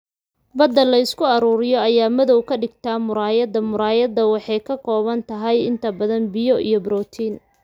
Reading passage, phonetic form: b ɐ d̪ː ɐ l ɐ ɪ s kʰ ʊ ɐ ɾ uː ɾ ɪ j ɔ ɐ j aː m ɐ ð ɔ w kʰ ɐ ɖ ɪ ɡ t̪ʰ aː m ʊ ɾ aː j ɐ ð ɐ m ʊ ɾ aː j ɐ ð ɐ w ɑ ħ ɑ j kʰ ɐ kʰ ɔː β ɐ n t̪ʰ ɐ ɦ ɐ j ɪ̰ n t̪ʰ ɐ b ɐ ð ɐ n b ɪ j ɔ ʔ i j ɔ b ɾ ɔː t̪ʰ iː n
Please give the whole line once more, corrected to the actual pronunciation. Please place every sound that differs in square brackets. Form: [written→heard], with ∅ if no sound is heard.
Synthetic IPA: b ɐ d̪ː ɐ l ɐ ɪ s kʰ ʊ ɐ ɾ uː ɾ ɪ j ɔ ɐ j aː m ɐ ð ɔ w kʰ ɐ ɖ ɪ ɡ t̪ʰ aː m ʊ ɾ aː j ɐ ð ɐ m ʊ ɾ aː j ɐ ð ɐ w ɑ ħ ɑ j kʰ ɐ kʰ ɔː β ɐ n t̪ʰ ɐ ɦ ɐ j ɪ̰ n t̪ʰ ɐ b ɐ ð ɐ n b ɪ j ɔ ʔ i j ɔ b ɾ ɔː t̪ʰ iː n